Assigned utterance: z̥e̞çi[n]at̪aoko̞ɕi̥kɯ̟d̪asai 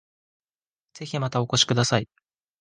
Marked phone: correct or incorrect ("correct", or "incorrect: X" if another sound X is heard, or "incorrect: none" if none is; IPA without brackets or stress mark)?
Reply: incorrect: m